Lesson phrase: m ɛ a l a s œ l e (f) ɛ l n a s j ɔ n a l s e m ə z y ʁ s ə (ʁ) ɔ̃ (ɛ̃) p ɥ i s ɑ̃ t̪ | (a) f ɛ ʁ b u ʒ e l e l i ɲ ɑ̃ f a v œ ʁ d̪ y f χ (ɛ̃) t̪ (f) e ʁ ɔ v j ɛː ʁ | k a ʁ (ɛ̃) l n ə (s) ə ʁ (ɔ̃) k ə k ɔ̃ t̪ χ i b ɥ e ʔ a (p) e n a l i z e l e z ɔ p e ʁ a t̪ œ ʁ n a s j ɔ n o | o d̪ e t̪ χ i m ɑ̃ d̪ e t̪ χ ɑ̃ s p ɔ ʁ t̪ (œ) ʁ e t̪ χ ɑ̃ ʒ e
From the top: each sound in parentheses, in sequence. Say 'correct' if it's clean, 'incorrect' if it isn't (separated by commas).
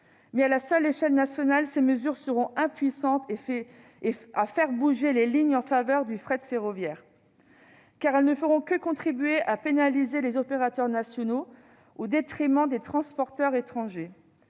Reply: incorrect, correct, correct, correct, incorrect, correct, incorrect, incorrect, correct, correct, correct